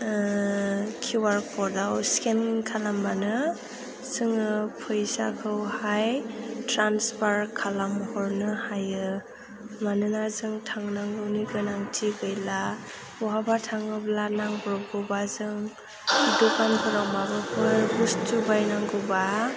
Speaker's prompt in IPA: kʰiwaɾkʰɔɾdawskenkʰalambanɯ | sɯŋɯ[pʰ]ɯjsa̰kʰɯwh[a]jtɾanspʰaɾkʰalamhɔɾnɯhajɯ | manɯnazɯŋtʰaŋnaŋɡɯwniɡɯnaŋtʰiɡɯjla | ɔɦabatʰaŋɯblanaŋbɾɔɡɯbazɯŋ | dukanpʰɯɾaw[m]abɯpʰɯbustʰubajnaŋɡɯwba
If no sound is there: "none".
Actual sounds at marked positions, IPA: pʰ, a, m

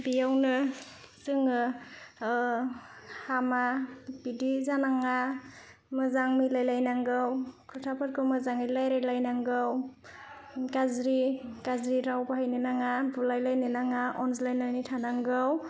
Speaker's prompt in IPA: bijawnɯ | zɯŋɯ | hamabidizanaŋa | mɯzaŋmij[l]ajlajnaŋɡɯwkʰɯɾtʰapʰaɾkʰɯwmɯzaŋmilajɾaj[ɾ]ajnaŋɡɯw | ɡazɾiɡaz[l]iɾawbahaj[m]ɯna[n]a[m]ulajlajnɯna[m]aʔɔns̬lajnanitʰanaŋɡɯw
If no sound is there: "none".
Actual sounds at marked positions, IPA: l, l, ɾ, n, ŋ, b, ŋ

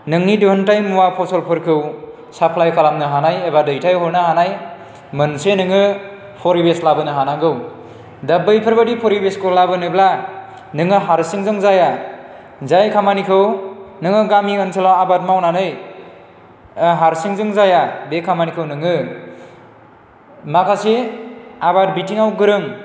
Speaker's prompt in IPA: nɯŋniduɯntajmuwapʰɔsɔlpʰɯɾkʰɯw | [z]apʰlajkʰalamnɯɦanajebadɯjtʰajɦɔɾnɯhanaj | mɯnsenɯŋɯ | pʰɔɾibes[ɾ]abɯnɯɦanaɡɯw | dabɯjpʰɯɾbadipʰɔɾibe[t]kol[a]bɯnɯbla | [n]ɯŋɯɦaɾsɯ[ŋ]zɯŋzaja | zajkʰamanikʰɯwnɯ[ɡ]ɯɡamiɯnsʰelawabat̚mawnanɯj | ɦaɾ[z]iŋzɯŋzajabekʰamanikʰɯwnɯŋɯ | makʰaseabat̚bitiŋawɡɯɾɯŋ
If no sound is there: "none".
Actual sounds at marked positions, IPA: s, l, s, a, n, ŋ, ŋ, s

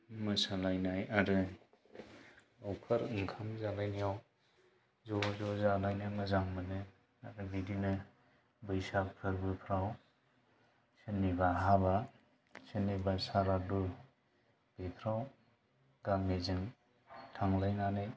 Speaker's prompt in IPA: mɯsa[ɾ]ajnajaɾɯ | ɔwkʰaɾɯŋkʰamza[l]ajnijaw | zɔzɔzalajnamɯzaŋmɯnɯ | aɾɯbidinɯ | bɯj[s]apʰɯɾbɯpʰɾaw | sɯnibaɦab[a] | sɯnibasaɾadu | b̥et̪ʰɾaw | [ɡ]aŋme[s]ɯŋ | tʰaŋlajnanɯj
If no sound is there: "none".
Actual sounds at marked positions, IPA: l, l, s, a, ɡ, z

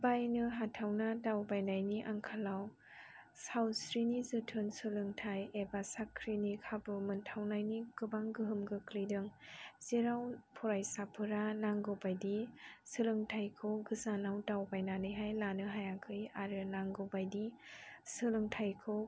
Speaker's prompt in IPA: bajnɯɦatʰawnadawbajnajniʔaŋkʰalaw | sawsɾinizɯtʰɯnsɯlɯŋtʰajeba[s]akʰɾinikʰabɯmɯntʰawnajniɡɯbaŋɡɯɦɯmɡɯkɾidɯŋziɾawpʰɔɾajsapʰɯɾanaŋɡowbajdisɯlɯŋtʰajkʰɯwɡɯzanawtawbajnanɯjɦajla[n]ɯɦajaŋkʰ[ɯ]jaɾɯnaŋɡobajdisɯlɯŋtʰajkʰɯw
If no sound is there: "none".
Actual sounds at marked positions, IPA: s, n, ɯ

